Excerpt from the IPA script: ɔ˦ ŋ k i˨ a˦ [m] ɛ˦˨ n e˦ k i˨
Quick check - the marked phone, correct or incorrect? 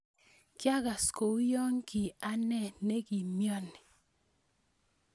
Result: incorrect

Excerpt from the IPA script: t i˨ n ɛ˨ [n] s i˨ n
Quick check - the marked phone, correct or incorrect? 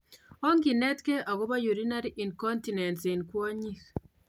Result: correct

